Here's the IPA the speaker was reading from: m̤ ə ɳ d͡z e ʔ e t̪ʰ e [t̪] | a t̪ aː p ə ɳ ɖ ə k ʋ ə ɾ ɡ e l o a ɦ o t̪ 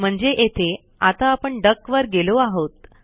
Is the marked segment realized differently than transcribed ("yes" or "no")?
yes